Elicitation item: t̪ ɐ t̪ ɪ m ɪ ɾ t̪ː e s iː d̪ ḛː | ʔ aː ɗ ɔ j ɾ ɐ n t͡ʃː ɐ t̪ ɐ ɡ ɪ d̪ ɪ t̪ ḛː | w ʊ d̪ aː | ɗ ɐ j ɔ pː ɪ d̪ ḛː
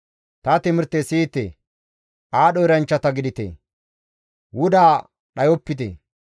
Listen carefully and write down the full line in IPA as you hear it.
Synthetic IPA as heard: t̪ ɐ t̪ ɪ m ɪ ɾ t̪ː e s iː t̪ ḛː | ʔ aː ɗ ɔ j ɾ ɐ n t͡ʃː ɐ t̪ ɐ ɡ ɪ d̪ ɪ t̪ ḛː | w ʊ d̪ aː | ɗ ɐ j ɔ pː ɪ t̪ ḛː